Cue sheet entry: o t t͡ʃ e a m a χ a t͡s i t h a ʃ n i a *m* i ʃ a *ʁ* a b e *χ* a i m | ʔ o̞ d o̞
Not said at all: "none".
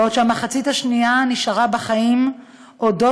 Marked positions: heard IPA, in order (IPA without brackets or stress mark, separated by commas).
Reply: n, ʁ, χ